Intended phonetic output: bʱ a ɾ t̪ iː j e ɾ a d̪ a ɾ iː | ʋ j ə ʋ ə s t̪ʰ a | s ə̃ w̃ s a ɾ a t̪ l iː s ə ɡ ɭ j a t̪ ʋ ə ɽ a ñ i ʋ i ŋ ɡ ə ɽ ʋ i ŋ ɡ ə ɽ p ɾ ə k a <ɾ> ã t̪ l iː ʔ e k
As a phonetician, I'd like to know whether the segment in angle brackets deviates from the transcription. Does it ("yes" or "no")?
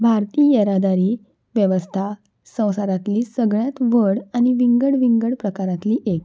no